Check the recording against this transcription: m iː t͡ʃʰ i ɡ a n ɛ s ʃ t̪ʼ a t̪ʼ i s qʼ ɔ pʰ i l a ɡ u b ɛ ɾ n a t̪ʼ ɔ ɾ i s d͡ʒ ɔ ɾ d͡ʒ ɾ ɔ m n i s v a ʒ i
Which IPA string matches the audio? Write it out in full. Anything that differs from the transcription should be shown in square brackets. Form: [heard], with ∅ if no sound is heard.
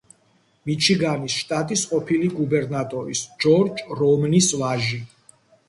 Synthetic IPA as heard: m [i] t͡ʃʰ i ɡ a n [i] s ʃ t̪ʼ a t̪ʼ i s qʼ ɔ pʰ i l [i] ɡ u b ɛ ɾ n a t̪ʼ ɔ ɾ i s d͡ʒ ɔ ɾ d͡ʒ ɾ ɔ m n i s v a ʒ i